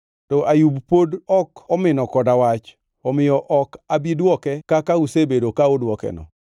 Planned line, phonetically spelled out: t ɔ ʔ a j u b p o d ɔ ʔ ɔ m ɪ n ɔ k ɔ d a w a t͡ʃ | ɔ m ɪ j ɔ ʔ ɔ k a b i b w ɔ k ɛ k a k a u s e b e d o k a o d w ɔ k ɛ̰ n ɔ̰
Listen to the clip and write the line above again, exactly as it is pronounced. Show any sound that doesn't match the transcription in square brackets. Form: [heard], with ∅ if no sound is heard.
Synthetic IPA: t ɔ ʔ a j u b p o d ɔ [k] ɔ m ɪ n ɔ k ɔ d a w a t͡ʃ | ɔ m ɪ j ɔ ʔ ɔ k a b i [d] w ɔ k ɛ k a k a u s e b e d o k a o d w ɔ k ɛ̰ n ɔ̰